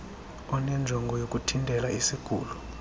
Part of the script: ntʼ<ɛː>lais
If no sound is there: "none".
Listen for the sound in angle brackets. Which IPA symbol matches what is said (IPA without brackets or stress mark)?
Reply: ɛ